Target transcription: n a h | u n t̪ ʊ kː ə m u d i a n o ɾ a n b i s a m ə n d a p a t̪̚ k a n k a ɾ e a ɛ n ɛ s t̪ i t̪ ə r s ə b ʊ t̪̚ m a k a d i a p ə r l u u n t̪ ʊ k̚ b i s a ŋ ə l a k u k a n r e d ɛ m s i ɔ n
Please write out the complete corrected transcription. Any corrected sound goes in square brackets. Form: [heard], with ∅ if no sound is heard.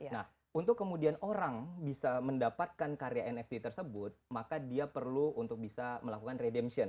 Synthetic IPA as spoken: n a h | u n t̪ ʊ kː ə m u d i a n o ɾ a [ŋ] b i s a m ə n d a p a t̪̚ k a n k a ɾ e a ɛ n ɛ [f] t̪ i t̪ ə r s ə b ʊ t̪̚ m a k a d i a p ə r l u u n t̪ ʊ k̚ b i s a [m] ə l a k u k a n r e d ɛ m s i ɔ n